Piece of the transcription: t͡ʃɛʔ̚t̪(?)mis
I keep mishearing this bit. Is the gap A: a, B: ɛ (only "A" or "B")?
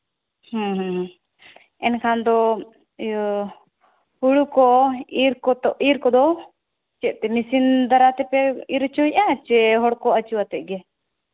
B